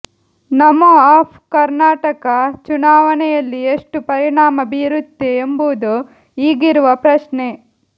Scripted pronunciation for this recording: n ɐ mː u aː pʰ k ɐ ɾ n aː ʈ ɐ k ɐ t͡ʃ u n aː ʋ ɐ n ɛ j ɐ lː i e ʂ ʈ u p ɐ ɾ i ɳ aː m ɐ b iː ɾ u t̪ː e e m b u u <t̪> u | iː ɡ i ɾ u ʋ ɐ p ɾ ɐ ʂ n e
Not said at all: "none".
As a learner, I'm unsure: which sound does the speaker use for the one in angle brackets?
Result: d̪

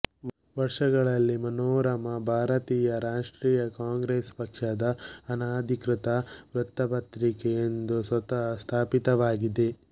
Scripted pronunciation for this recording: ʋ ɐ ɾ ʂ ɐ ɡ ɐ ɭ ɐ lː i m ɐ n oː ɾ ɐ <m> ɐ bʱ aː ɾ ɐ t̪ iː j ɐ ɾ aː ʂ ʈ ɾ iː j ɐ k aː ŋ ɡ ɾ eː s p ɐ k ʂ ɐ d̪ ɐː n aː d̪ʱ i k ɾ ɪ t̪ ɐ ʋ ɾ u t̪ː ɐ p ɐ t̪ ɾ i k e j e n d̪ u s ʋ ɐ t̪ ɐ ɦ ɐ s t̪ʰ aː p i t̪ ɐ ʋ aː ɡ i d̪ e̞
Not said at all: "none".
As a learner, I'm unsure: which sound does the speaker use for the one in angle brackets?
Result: m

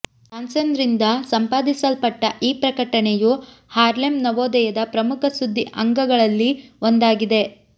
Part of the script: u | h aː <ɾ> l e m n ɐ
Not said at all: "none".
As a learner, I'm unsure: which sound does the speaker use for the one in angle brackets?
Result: ɾ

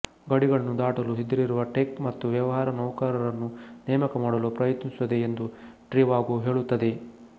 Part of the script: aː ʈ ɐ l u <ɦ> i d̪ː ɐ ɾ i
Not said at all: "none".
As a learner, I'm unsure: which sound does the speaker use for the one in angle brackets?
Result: ɦ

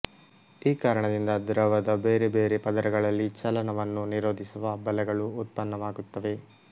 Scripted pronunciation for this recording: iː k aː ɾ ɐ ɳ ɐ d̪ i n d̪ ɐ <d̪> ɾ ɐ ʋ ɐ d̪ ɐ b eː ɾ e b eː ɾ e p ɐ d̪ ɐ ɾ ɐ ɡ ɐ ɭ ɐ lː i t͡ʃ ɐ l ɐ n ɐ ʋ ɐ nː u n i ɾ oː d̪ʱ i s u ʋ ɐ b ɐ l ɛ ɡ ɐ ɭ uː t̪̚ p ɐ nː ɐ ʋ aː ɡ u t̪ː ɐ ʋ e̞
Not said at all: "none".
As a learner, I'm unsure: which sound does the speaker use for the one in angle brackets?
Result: d̪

